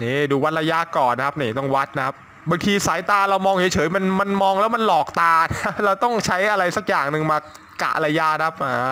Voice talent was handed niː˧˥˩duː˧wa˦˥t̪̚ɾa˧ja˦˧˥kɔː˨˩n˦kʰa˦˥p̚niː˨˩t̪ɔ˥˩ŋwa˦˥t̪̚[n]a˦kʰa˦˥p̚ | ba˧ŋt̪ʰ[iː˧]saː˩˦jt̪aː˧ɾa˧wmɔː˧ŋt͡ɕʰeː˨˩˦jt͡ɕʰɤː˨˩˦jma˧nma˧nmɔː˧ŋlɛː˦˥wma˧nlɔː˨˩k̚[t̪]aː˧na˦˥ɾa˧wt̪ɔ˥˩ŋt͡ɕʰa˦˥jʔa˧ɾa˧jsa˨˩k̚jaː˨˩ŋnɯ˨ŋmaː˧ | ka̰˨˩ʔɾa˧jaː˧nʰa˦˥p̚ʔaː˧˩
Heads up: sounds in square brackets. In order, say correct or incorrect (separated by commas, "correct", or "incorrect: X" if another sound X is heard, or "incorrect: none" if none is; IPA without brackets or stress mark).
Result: correct, correct, correct